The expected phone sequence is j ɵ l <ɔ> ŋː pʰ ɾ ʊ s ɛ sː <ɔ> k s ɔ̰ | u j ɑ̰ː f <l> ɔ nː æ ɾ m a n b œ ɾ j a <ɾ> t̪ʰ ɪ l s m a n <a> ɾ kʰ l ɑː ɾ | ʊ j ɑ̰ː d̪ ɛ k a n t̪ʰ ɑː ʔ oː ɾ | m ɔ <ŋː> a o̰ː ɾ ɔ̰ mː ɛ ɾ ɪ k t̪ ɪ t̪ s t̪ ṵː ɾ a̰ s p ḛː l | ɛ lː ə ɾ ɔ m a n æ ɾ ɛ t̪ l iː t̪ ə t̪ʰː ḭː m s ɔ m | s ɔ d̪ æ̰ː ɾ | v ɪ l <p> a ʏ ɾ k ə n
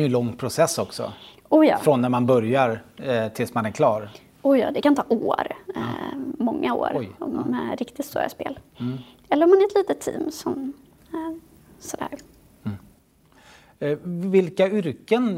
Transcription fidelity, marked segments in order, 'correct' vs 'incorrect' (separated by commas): correct, correct, incorrect, correct, incorrect, correct, incorrect